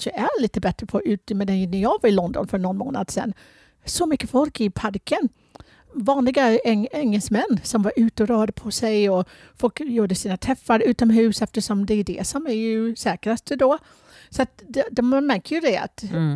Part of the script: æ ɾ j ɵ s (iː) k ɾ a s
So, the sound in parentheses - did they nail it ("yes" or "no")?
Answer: no